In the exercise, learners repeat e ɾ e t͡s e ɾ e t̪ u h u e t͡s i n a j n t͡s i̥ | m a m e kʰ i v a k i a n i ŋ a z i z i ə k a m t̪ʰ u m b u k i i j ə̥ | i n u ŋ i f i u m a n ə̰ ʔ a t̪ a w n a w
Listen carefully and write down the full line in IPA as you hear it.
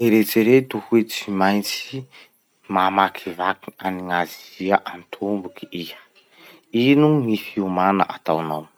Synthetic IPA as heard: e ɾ e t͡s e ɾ e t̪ u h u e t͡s i m a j n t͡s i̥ | m a m a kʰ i v a k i a n i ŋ a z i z i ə ʔ a n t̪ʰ u m b u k i i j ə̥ | i n u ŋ i f i u m a n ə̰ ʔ a t̪ a w n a w